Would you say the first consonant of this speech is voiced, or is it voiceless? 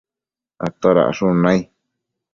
voiceless